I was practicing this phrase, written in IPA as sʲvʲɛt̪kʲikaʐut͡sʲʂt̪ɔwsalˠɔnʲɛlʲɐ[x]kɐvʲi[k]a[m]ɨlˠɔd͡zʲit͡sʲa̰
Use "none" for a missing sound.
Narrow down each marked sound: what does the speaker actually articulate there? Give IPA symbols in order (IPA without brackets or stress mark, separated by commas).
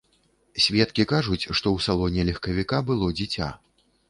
x, k, b